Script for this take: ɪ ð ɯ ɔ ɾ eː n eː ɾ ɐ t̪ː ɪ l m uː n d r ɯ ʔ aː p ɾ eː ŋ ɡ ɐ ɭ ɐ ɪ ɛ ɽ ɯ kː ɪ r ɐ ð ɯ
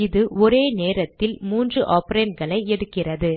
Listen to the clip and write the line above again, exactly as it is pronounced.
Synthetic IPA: ɪ ð ɯ ɔ ɾ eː n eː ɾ ɐ t̪ː ɪ l m uː n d r ɯ ʔ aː p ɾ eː n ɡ ɐ ɭ ɐ ɪ ɛ ɽ ɯ kː ɪ r ɐ ð ɯ

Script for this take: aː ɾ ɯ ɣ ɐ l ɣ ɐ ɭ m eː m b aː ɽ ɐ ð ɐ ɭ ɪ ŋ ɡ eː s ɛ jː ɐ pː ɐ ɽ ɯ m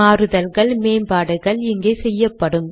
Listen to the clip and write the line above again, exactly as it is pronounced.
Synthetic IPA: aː ɾ ɯ ð ɐ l ɣ ɐ ɭ m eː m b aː ɽ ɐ ɣ ɐ ɭ ɪ ŋ ɡ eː s ɛ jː ɐ pː ɐ ɽ ɯ m

